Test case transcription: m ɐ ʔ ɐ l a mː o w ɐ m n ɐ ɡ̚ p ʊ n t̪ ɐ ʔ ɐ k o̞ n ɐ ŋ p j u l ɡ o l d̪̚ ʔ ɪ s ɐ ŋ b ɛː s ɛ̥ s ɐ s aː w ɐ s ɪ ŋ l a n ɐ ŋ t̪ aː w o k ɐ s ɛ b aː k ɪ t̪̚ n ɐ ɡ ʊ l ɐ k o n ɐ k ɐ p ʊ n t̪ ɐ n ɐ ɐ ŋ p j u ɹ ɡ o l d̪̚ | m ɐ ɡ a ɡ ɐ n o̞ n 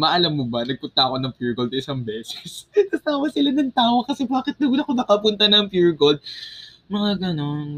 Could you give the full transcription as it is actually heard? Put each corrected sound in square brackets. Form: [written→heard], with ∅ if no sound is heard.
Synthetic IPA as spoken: m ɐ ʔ ɐ l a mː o [w→b] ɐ [m→∅] n ɐ ɡ̚ p ʊ n t̪ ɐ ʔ ɐ k o̞ n ɐ ŋ p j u [l→ɹ] ɡ o l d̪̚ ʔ ɪ s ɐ ŋ b ɛː s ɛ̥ s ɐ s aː w ɐ s ɪ [ŋ→∅] l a n ɐ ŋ t̪ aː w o k ɐ s ɛ b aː k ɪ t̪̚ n ɐ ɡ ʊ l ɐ k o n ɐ k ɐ p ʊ n t̪ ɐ n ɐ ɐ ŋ p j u ɹ ɡ o l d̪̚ | m ɐ [ɡ→ŋ] a ɡ ɐ n o̞ n